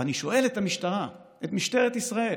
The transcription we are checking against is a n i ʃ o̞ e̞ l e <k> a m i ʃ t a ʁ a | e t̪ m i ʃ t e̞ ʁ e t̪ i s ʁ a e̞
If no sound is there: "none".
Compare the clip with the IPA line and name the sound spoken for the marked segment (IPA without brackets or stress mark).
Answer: t